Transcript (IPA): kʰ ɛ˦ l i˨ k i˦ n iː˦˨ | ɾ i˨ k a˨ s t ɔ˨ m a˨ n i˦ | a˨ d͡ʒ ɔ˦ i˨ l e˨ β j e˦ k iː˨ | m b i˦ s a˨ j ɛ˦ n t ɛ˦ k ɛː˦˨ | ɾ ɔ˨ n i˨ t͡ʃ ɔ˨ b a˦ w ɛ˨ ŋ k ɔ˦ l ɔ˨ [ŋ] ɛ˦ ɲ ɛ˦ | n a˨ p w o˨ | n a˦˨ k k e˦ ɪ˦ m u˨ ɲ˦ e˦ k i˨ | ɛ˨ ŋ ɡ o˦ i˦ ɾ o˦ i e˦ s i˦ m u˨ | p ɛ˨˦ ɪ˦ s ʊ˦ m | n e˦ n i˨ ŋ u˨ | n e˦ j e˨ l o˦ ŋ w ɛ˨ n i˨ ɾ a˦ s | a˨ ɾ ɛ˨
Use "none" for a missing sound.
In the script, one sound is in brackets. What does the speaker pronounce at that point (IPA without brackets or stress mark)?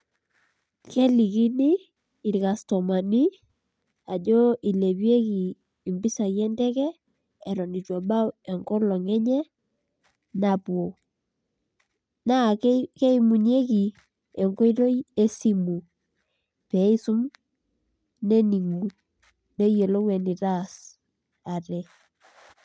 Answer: ŋ